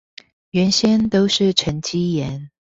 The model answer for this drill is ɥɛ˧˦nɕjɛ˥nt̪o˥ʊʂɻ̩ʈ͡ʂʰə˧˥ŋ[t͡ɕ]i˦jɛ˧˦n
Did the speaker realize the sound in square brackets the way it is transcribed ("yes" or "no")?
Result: yes